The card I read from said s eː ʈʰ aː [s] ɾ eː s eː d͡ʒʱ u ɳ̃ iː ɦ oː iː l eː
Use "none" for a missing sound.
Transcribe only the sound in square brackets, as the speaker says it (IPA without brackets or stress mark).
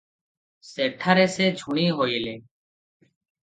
none